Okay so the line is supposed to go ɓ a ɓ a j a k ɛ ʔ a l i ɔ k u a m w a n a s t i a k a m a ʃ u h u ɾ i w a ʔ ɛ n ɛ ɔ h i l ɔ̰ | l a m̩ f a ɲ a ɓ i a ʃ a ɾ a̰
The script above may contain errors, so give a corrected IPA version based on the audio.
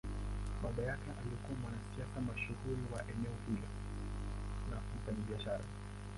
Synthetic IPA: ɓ a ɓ a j a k ɛ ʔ a l i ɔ k u a m w a n a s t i a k a m a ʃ u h u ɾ i w a ʔ ɛ n ɛ ɔ h i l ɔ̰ | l a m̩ f a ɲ a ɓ i a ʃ a ɾ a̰